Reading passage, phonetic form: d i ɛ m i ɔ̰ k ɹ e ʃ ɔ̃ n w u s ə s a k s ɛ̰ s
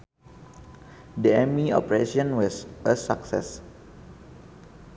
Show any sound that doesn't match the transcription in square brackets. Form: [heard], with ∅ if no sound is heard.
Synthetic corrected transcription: d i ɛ m i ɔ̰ [p] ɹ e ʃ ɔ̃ n w [ɔ] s ə s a k s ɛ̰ s